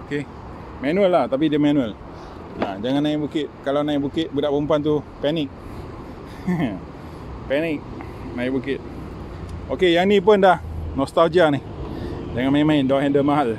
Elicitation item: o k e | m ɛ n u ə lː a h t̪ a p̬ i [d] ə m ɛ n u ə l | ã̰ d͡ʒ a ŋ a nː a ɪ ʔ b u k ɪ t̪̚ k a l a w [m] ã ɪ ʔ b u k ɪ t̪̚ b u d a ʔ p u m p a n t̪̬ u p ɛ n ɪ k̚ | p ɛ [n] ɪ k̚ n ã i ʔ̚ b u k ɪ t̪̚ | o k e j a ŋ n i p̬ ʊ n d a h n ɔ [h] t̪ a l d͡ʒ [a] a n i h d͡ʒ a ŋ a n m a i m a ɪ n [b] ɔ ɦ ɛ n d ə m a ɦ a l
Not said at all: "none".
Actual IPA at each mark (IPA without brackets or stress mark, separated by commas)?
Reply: d, n, n, s, i, d